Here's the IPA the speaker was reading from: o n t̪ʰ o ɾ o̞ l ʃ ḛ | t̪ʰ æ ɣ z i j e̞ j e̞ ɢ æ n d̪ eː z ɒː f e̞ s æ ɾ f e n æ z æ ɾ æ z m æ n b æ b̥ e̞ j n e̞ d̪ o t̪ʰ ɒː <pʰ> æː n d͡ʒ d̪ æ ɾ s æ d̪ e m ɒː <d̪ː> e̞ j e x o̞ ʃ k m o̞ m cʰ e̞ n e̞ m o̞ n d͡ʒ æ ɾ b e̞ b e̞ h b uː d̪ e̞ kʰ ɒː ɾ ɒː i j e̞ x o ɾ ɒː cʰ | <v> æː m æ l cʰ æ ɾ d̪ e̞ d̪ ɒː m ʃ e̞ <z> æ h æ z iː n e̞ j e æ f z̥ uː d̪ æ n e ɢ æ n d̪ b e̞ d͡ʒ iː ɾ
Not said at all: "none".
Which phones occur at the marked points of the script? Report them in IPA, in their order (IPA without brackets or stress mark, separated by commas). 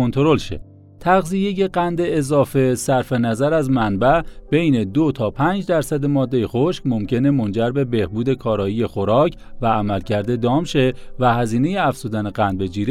pʰ, d̪ː, v, v